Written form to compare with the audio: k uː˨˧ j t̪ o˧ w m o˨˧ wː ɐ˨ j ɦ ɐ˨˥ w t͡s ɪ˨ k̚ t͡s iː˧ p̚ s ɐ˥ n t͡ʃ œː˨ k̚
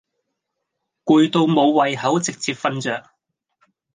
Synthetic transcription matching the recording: k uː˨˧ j t̪ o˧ w m o˨˧ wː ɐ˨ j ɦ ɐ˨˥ w t͡s ɪ˨ k̚ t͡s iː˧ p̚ f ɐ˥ n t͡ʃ œː˨ k̚